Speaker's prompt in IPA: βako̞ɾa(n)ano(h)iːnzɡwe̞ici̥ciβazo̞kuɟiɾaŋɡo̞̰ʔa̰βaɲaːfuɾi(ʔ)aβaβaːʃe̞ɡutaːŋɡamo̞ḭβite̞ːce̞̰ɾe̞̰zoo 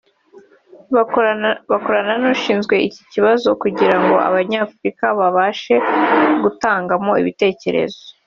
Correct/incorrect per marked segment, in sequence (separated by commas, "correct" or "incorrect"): correct, incorrect, incorrect